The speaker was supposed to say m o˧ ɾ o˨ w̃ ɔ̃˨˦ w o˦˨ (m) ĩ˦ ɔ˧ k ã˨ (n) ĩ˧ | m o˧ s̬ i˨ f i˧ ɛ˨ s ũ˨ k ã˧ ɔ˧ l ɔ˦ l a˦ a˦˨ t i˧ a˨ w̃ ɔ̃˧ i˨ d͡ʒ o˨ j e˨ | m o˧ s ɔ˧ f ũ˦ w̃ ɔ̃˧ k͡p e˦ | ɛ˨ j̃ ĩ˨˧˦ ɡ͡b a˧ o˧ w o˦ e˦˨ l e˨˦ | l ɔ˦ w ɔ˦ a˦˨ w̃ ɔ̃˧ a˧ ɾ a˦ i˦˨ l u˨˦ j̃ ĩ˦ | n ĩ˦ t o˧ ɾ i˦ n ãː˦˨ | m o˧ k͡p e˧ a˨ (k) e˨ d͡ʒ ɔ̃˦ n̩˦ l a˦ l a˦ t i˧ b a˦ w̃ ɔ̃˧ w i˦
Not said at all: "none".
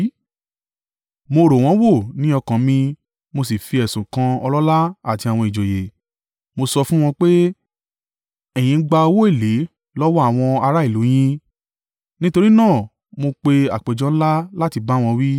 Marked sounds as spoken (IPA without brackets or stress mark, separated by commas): n, m, k͡p